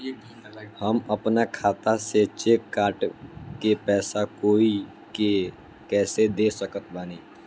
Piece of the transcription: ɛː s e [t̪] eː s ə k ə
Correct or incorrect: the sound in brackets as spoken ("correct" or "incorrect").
incorrect